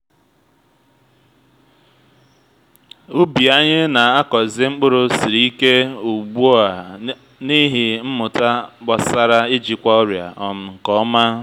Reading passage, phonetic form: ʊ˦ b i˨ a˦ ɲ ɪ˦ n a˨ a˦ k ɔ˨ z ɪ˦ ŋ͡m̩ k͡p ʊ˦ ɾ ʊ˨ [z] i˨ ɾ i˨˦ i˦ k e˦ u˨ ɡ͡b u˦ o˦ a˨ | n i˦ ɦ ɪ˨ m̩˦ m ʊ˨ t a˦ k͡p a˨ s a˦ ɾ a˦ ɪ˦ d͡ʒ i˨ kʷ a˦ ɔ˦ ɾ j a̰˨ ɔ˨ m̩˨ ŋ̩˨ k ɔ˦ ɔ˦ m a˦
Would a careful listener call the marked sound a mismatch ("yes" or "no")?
yes